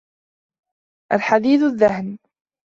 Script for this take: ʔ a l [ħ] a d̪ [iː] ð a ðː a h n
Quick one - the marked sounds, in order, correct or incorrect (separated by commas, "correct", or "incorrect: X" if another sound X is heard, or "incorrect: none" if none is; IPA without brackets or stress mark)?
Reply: correct, correct